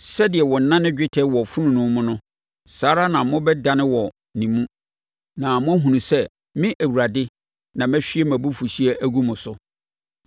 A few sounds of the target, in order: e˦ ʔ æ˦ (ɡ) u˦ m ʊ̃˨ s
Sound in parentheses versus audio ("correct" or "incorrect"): correct